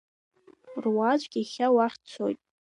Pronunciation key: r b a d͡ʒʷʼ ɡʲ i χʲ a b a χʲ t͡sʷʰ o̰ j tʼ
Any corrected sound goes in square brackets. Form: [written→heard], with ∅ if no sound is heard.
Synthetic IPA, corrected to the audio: r [b→w] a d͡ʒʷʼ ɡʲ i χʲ a [b→w] a χʲ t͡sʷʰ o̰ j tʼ